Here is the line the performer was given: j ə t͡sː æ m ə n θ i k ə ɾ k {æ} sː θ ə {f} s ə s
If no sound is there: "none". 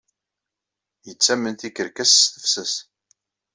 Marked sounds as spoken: æ, f

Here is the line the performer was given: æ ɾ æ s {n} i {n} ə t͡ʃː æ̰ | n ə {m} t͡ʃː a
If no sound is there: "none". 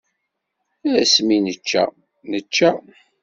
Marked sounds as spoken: m, n, none

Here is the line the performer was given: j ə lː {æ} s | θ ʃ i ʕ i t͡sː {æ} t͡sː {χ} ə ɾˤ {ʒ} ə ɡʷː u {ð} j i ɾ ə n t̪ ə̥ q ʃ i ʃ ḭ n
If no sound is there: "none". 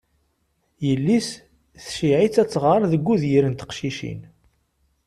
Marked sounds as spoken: i, æ, ʁ, ð, ð

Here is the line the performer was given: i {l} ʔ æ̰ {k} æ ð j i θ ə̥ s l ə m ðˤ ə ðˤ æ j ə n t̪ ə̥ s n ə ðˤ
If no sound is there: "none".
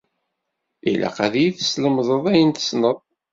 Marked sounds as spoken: l, q

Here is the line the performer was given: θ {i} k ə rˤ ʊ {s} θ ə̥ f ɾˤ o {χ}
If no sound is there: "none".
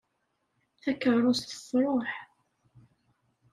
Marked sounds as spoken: æ, s, ħ

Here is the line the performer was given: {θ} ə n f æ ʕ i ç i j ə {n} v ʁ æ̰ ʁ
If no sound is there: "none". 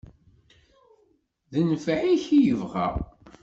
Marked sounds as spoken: ð, none

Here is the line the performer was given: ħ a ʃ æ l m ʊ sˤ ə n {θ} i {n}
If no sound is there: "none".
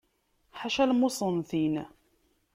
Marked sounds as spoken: θ, n

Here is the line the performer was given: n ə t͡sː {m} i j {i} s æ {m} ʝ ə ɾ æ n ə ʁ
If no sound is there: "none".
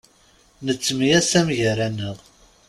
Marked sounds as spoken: m, æ, m

